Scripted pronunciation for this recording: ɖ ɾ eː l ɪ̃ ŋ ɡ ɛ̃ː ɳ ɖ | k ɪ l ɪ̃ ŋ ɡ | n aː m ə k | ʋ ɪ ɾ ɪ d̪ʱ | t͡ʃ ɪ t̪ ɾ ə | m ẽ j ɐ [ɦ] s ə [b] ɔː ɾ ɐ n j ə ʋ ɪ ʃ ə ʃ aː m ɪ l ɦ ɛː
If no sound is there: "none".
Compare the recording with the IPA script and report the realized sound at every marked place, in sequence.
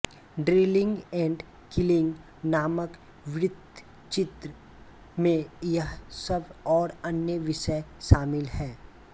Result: ɦ, b

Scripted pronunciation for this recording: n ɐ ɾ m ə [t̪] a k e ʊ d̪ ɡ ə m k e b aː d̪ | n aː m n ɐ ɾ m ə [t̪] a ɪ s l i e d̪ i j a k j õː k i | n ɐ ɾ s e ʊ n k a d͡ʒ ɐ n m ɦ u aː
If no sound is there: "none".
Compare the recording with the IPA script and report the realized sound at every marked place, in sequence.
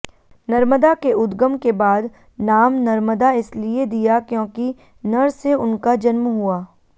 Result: d̪, d̪

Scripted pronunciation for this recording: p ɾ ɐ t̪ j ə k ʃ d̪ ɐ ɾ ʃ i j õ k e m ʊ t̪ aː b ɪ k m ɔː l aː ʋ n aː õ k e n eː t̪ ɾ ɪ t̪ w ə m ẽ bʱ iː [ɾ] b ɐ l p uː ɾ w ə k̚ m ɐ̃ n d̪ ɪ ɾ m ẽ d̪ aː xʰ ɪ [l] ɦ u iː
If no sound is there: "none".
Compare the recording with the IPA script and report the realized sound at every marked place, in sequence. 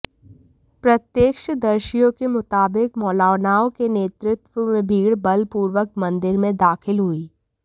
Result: ɽ, l

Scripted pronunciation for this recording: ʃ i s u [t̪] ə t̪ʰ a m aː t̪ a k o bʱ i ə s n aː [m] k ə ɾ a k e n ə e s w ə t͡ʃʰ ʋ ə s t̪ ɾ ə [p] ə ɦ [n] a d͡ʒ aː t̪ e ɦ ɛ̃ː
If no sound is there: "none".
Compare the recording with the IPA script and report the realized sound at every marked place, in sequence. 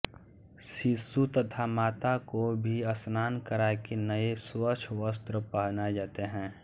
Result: t̪, n, p, n

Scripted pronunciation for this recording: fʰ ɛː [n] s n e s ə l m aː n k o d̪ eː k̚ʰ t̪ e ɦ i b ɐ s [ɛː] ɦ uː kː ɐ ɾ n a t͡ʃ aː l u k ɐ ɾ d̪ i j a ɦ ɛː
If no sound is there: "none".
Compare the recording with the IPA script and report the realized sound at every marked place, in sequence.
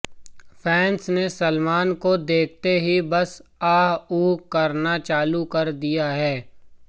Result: n, aː

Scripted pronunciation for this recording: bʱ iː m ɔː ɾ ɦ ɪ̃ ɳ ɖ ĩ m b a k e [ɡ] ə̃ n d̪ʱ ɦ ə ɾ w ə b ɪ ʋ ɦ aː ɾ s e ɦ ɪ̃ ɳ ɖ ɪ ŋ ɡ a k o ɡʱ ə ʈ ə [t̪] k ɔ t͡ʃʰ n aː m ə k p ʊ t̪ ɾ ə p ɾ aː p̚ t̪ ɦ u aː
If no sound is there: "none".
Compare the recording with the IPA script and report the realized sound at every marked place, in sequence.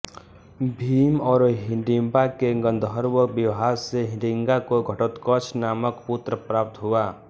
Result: ɡ, t̪

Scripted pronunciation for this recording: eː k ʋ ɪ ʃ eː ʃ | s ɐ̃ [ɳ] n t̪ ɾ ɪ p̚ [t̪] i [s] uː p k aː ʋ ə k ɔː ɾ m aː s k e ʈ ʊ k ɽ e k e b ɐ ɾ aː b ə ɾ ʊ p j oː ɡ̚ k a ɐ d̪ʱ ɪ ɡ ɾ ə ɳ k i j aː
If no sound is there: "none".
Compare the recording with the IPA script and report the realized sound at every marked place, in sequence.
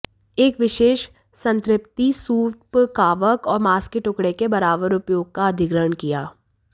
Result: none, t̪, s

